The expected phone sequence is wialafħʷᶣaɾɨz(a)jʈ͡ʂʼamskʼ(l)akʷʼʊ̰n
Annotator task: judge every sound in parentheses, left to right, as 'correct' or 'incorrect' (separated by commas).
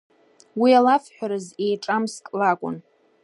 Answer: incorrect, correct